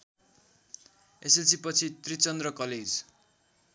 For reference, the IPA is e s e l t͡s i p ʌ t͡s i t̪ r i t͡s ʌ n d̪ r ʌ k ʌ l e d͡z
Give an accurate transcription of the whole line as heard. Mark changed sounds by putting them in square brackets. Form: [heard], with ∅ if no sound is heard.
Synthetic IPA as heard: e s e l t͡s i p ʌ [t͡sʰ] i t̪ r i t͡s ʌ n d̪ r ʌ k ʌ l e d͡z